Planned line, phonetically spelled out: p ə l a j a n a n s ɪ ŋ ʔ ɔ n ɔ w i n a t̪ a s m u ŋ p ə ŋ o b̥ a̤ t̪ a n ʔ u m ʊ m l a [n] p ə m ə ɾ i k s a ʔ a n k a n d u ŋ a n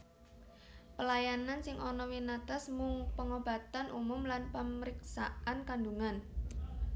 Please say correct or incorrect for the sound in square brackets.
correct